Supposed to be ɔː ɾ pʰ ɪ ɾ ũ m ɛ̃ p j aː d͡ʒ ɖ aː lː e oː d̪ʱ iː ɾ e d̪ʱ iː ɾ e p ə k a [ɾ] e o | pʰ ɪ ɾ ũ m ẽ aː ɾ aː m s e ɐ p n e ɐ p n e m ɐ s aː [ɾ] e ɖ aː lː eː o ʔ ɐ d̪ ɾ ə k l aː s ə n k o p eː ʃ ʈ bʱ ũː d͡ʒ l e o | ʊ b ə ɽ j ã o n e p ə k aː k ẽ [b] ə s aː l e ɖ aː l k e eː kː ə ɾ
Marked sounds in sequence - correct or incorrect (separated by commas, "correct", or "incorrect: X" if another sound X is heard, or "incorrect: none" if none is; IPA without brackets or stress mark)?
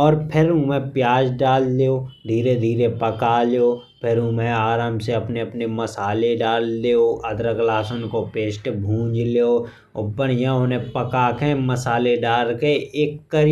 incorrect: l, incorrect: l, incorrect: m